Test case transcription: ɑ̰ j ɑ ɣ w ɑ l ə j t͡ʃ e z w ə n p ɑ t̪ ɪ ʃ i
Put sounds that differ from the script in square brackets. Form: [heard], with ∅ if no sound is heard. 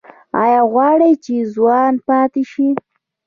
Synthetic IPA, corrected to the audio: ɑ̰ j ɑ ɣ w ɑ [ɽ] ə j t͡ʃ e z w [ɑ] n p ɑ t̪ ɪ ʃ i